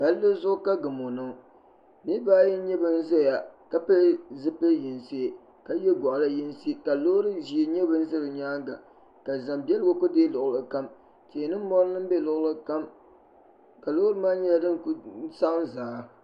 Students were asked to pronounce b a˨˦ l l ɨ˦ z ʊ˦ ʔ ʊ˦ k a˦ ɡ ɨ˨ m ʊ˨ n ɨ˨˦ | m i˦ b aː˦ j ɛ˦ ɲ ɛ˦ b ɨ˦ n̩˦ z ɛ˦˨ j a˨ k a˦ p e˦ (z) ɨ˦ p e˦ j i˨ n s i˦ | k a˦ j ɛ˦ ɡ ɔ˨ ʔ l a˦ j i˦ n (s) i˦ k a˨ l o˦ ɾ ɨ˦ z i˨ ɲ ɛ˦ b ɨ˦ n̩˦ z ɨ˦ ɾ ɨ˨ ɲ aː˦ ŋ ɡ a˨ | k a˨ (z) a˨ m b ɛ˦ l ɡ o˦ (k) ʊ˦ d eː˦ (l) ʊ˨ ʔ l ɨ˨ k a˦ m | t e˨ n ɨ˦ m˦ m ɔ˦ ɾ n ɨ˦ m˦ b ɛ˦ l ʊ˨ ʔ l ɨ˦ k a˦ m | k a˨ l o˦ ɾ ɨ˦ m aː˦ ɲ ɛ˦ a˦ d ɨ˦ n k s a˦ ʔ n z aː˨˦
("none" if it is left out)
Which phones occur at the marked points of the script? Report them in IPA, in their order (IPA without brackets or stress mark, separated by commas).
z, s, z, k, l